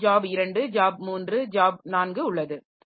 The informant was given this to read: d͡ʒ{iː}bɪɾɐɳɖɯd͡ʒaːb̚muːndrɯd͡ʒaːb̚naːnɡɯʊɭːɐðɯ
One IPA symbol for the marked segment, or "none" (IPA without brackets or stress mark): aː